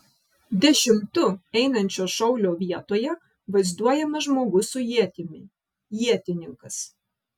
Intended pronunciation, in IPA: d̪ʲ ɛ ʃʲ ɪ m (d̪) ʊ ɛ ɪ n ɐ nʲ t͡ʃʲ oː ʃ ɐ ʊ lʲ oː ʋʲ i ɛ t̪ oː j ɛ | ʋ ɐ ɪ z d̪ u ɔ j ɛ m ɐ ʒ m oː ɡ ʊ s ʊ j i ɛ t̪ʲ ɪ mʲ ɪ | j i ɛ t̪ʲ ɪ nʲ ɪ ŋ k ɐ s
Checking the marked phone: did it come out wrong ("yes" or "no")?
yes